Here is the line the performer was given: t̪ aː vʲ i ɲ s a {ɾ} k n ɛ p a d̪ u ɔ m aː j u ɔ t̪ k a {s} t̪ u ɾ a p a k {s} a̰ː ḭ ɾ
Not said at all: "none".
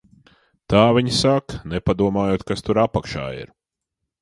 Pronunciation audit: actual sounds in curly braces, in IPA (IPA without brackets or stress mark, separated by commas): none, s, ʃ